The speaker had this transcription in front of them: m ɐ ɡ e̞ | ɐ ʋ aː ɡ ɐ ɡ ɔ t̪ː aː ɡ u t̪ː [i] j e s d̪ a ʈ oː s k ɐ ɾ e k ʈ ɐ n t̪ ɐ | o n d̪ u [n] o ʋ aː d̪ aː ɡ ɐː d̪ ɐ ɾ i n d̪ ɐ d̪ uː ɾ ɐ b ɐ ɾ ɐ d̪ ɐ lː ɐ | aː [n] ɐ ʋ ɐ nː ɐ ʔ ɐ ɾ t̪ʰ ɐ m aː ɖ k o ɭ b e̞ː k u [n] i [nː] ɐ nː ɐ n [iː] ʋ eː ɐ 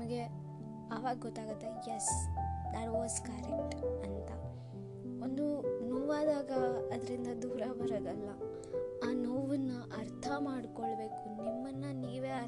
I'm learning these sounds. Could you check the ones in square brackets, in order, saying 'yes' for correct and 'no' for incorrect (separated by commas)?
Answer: no, yes, yes, yes, no, yes